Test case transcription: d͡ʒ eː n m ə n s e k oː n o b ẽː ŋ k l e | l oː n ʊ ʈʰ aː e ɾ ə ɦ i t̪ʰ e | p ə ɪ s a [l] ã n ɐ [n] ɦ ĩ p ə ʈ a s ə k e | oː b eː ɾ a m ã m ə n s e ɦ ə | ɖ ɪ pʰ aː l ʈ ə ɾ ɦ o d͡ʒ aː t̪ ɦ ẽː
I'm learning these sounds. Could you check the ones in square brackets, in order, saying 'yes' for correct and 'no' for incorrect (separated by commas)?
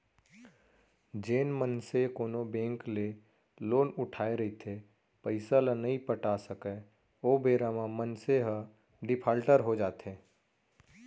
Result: yes, no